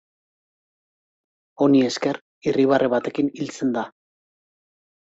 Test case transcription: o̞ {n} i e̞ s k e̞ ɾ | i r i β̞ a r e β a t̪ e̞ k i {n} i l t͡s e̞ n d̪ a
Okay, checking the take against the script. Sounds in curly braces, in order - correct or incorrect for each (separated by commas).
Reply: correct, correct